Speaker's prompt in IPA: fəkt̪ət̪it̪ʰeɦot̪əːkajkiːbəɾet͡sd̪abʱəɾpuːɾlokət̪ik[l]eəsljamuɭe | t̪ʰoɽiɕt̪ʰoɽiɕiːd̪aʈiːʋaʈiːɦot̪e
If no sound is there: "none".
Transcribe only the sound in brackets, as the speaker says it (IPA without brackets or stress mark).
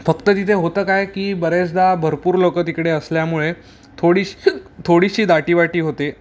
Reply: ɽ